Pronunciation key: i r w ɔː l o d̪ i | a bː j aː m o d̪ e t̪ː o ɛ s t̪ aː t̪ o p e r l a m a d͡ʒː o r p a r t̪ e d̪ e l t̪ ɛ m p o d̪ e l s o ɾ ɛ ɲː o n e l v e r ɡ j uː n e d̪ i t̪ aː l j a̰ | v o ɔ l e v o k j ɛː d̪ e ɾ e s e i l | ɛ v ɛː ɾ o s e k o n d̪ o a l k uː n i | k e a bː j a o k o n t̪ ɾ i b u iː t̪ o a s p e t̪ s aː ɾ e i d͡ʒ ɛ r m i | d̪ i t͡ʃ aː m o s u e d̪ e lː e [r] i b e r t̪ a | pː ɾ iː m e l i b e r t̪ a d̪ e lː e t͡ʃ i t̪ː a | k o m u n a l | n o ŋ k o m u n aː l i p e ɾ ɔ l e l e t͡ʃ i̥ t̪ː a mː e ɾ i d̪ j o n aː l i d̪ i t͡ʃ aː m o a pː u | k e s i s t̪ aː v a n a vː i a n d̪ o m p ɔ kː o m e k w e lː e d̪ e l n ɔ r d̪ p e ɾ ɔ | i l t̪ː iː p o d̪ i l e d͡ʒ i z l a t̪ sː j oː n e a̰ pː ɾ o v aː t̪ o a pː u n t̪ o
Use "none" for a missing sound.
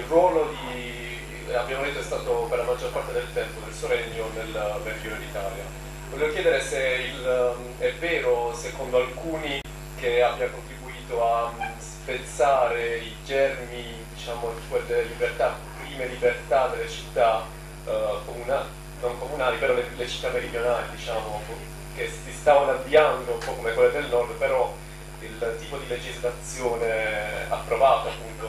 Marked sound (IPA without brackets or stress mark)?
l